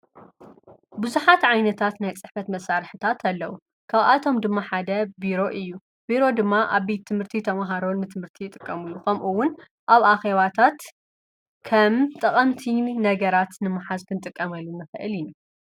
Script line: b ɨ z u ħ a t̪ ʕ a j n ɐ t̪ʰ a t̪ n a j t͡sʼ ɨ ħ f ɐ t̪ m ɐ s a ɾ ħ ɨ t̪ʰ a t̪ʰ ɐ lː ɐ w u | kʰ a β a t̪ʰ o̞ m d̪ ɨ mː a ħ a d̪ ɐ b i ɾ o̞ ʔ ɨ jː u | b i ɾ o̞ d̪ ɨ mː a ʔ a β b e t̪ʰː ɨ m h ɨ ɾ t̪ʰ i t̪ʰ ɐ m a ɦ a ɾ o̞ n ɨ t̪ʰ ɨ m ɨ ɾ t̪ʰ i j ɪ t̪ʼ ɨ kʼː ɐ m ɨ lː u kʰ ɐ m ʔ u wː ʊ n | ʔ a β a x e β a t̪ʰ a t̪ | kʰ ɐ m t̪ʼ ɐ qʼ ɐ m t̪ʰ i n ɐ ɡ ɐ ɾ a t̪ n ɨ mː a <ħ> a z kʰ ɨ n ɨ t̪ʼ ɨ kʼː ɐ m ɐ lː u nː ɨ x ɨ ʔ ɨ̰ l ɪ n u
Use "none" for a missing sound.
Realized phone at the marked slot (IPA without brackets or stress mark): ħ